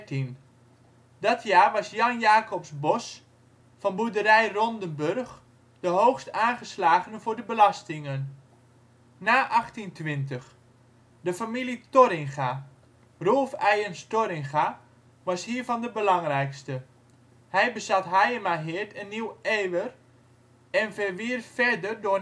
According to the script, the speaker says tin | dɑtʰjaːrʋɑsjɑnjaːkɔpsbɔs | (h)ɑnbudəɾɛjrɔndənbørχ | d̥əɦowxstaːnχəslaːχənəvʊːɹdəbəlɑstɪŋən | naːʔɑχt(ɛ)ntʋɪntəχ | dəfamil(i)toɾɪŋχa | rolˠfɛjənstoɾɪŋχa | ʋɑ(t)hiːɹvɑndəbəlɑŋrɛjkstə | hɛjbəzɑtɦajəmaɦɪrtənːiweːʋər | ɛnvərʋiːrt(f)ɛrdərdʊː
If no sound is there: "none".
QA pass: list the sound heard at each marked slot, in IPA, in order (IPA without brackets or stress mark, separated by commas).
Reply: f, i, i, s, f